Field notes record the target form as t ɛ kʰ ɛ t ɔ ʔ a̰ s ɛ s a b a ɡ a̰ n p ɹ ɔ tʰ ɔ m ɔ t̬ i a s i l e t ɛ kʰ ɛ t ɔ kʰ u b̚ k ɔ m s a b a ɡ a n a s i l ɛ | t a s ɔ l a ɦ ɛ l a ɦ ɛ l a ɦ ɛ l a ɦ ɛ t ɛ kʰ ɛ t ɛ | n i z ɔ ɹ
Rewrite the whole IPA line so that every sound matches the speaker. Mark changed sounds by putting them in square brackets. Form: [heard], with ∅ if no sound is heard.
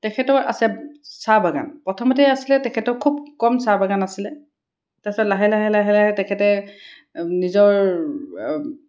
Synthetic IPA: t ɛ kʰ ɛ t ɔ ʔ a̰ s ɛ s a b a ɡ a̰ n p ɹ ɔ tʰ ɔ m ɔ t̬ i a s i l [ɛ] t ɛ kʰ ɛ t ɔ kʰ u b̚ k ɔ m s a b a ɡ a n a s i l ɛ | t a s ɔ l a ɦ ɛ l a ɦ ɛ l a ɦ ɛ l a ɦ ɛ t ɛ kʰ ɛ t ɛ | n i z ɔ ɹ